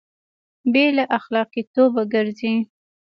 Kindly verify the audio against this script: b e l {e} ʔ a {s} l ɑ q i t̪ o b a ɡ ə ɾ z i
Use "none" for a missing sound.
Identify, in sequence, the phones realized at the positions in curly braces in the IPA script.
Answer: a, x

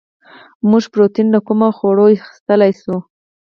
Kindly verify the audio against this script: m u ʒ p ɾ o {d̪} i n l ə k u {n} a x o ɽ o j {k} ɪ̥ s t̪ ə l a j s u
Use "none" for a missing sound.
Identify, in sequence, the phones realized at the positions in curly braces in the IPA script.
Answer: t̪, m, x

